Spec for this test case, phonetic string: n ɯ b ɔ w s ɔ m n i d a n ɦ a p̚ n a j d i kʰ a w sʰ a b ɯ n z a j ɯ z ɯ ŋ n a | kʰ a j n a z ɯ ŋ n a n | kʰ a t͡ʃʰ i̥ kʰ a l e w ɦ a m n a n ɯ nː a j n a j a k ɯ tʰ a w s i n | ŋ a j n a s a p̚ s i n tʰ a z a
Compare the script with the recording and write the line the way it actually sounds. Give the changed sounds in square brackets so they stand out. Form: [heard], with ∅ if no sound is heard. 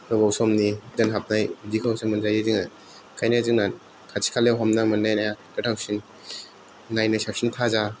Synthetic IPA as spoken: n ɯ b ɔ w s ɔ m n i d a n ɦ a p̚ n a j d i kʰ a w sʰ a [m] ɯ n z a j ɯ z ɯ ŋ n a | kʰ a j n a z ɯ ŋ n a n | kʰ a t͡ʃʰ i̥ kʰ a l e w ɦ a m n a [m] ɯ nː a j n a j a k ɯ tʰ a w s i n | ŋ a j n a s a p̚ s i n tʰ a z a